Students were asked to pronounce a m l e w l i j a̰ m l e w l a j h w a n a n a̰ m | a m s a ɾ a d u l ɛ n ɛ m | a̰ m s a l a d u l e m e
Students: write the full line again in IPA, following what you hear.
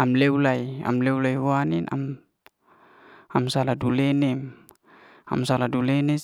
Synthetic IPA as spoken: a m l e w l a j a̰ m l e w l a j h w a n i n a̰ m | a m s a l a d u l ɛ n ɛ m | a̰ m s a l a d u l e n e